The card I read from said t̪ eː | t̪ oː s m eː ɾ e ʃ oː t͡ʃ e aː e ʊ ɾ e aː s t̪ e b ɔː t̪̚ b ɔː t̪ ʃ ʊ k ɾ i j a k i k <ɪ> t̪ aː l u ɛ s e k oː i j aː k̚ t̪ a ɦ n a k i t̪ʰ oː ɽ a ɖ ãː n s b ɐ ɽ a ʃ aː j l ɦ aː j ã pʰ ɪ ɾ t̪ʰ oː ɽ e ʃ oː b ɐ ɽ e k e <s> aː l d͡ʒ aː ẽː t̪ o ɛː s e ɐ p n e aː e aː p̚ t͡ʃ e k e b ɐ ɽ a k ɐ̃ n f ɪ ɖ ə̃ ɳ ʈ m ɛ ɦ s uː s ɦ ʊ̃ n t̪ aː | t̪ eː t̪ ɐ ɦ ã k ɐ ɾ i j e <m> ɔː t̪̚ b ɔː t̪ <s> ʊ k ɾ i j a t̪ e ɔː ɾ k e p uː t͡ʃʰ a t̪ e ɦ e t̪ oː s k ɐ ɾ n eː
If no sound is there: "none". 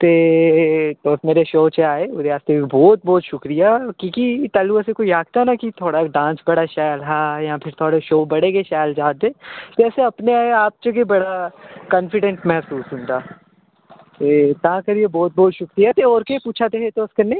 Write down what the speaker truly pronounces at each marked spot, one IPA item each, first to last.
i, ʃ, b, ʃ

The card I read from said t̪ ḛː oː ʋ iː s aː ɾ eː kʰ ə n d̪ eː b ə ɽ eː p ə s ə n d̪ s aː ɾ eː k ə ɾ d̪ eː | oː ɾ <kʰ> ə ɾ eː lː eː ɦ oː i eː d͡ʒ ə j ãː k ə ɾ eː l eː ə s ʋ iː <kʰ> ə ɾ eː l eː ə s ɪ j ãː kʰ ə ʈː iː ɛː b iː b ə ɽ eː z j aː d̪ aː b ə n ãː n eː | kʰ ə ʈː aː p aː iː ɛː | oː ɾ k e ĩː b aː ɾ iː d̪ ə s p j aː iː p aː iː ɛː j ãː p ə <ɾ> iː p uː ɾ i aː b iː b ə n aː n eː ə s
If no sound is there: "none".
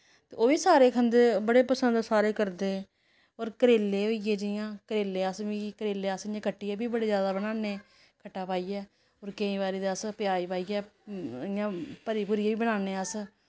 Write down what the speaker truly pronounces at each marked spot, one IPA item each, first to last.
k, k, ɾ

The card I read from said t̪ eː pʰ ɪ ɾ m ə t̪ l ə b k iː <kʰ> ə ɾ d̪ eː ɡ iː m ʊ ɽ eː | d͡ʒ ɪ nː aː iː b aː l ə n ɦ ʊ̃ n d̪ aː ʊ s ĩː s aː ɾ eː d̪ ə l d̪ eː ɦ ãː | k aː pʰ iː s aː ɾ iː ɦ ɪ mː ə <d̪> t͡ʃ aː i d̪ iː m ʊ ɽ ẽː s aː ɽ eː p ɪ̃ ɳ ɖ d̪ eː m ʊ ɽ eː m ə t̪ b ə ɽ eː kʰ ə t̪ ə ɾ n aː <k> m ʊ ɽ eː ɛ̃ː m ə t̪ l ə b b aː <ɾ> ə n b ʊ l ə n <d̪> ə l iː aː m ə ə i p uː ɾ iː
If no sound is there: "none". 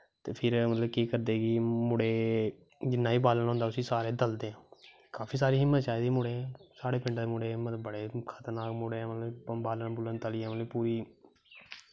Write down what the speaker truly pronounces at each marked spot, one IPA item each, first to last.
k, t̪, k, l, t̪

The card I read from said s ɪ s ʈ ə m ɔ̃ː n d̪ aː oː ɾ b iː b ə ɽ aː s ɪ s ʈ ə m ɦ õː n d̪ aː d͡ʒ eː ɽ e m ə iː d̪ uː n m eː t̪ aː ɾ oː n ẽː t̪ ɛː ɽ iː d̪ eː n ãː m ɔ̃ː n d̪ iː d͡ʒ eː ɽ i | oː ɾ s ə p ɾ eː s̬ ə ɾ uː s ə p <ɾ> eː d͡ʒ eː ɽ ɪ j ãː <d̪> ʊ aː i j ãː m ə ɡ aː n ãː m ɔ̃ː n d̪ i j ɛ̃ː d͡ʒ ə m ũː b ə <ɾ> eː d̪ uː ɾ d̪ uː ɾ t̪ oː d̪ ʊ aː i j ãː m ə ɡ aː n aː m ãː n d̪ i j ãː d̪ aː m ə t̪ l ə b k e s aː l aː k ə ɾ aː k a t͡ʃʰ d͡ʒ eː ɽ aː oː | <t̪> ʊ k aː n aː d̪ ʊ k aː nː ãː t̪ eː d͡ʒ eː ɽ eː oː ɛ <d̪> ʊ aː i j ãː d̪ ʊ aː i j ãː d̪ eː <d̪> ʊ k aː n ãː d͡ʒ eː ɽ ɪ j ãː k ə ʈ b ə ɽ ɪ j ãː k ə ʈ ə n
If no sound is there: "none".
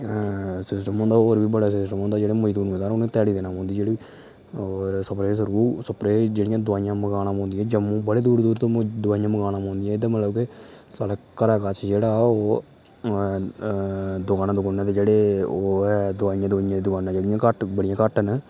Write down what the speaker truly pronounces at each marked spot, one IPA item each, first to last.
ɾ, d̪, ɽ, d̪, d̪, d̪

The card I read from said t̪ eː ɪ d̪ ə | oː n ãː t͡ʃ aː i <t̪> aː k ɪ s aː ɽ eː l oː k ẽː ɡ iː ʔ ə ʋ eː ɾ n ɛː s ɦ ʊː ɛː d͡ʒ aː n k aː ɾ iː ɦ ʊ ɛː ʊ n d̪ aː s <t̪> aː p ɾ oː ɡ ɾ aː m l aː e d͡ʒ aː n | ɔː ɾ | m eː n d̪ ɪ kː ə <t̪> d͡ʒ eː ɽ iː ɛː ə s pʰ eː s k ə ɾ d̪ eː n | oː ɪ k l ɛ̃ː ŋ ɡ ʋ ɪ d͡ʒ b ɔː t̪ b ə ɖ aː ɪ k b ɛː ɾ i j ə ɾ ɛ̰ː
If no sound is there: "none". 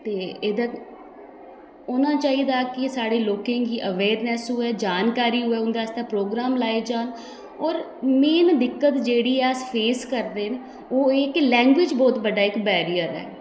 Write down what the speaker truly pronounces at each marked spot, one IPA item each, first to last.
d̪, t̪, t̪

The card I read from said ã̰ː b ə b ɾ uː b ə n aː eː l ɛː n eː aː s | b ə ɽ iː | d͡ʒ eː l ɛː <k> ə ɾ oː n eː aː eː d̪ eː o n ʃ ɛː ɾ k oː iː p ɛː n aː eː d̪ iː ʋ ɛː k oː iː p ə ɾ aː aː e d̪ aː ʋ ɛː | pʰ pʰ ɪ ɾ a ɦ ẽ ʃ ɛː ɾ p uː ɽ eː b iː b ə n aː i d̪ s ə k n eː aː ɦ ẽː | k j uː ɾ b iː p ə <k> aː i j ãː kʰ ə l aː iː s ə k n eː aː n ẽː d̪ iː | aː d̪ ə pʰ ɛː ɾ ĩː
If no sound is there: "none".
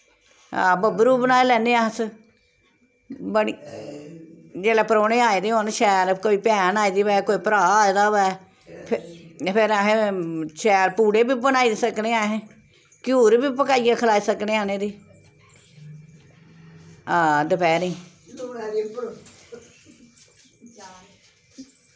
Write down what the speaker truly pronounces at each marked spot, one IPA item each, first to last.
p, k

